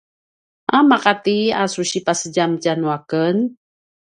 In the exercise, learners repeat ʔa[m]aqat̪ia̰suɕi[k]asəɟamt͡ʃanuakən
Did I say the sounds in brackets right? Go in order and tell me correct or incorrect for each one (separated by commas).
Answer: correct, incorrect